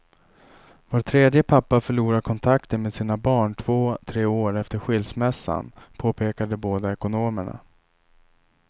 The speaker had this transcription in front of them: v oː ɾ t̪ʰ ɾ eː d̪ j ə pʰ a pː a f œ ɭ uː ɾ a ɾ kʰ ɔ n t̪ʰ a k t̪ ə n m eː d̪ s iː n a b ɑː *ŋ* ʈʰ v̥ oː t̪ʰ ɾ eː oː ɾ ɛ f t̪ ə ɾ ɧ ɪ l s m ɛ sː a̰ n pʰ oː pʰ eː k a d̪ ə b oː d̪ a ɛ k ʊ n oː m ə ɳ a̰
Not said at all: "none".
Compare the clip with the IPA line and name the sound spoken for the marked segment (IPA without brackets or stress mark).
ɳ